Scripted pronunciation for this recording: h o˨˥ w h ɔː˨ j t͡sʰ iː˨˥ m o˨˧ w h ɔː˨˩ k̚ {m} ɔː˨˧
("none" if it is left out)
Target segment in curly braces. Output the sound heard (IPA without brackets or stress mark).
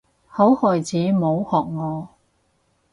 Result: ŋ